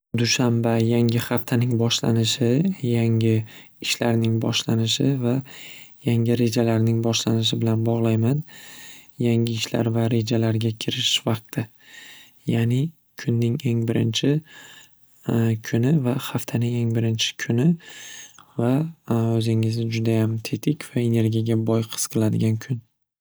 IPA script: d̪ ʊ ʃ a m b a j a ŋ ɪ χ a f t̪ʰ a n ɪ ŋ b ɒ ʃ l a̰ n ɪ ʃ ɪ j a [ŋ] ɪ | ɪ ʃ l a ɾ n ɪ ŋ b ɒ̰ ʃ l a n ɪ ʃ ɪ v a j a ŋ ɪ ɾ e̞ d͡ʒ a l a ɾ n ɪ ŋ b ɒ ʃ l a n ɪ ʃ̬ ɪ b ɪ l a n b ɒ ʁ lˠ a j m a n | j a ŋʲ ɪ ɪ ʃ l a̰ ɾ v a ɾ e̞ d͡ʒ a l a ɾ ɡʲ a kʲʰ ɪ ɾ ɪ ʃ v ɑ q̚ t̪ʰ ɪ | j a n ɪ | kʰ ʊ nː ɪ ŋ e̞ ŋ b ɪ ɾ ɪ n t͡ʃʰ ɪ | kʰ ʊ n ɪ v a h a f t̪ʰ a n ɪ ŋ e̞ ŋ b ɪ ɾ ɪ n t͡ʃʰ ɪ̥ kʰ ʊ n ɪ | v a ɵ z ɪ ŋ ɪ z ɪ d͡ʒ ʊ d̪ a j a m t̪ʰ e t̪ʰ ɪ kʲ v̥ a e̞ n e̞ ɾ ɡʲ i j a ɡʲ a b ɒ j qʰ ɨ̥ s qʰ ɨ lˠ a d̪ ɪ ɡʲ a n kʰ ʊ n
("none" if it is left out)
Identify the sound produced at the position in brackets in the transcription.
ŋ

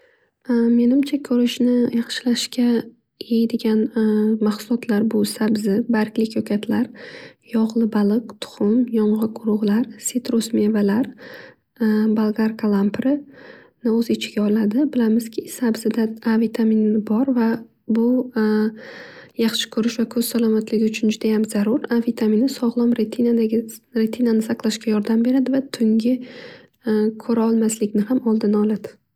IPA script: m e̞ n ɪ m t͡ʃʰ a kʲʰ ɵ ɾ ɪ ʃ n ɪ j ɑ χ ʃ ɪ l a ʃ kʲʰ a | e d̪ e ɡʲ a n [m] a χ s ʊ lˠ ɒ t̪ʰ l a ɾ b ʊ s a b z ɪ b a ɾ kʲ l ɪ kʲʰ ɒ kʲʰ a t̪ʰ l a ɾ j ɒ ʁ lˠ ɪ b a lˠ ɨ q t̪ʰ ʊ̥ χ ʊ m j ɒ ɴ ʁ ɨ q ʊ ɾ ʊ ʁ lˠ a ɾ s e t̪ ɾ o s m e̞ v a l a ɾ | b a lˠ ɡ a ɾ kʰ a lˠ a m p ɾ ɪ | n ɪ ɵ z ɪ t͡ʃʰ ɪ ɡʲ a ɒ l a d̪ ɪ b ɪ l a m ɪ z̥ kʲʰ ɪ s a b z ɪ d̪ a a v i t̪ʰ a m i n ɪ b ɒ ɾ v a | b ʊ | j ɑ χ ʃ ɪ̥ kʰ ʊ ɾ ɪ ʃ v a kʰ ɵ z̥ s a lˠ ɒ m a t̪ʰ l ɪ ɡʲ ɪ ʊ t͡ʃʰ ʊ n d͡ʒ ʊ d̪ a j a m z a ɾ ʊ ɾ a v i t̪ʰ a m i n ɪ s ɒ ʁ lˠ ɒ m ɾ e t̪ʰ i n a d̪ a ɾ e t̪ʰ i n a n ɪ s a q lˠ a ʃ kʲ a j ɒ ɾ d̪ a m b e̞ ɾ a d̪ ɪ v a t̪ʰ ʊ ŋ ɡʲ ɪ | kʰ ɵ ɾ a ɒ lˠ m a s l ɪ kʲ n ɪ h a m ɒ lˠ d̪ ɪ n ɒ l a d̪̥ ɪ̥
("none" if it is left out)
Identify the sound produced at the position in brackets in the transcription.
m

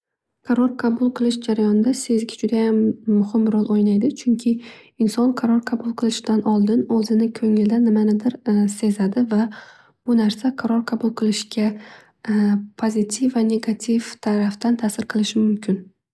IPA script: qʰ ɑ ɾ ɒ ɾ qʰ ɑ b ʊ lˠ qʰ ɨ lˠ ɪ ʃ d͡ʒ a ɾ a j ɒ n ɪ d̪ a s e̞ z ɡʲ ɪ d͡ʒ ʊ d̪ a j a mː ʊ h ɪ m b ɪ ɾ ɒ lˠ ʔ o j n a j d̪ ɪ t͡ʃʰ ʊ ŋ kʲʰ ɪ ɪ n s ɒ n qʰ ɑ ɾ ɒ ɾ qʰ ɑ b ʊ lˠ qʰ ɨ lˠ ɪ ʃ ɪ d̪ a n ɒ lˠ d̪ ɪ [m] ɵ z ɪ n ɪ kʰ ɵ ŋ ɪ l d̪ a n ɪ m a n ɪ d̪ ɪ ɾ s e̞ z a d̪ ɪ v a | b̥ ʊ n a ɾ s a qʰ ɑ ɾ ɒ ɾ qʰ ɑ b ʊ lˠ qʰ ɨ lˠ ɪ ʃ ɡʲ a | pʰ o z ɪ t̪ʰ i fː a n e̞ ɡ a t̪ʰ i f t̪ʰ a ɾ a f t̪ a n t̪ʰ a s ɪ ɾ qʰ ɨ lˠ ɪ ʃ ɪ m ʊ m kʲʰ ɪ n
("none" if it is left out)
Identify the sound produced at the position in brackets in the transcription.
n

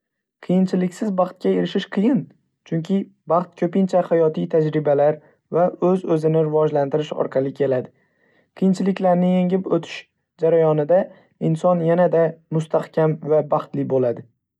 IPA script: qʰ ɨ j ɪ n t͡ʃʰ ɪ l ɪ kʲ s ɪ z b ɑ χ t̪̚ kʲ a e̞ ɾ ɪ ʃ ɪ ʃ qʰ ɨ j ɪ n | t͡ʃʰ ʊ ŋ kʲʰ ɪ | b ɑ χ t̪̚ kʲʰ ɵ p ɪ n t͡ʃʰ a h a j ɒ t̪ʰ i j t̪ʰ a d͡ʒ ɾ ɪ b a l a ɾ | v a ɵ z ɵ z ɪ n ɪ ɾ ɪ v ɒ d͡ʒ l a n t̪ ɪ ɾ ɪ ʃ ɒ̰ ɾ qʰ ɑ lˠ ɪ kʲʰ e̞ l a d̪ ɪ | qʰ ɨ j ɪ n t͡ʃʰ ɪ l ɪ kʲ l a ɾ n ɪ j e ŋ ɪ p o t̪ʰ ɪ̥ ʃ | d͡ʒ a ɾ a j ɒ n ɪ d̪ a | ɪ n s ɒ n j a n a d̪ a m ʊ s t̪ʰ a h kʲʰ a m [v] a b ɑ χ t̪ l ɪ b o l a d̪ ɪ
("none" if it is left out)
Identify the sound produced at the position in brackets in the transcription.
v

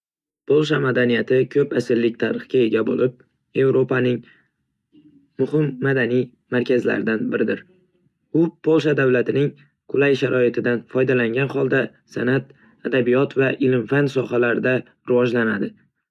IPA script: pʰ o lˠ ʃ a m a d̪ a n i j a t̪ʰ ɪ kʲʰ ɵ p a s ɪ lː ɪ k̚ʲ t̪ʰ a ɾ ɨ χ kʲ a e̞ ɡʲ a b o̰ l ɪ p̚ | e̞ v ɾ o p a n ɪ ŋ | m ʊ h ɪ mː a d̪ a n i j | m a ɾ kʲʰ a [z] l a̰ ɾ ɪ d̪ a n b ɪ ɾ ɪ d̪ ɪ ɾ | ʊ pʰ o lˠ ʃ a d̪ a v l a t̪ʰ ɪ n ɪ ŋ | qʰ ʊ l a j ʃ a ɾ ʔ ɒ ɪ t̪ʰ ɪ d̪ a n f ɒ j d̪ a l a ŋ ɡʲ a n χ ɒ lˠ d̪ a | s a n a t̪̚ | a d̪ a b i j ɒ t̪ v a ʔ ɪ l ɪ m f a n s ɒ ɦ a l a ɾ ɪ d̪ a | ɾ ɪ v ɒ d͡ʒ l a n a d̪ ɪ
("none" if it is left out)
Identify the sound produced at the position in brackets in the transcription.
z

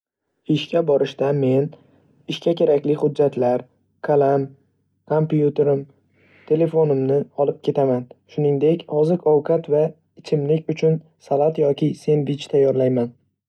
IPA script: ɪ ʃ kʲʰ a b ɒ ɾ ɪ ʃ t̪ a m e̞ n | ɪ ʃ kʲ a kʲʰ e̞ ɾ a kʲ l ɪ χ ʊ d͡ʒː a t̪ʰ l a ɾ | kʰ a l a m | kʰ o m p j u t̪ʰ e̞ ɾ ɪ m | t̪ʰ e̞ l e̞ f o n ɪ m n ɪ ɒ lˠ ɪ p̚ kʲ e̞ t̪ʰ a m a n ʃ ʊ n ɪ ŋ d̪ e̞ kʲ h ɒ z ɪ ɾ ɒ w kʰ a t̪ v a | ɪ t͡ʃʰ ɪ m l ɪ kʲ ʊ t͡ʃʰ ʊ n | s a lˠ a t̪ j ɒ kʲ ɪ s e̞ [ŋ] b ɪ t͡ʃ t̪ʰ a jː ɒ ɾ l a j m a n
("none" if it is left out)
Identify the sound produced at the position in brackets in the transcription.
n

